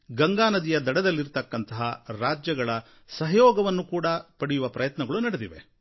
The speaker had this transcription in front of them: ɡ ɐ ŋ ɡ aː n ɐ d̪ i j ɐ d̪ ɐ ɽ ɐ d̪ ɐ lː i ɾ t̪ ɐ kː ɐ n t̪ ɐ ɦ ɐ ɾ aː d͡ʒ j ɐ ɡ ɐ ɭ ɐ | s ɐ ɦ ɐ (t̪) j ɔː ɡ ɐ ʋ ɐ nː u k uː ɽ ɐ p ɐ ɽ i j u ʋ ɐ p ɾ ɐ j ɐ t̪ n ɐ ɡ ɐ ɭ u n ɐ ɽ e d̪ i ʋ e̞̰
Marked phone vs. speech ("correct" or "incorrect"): incorrect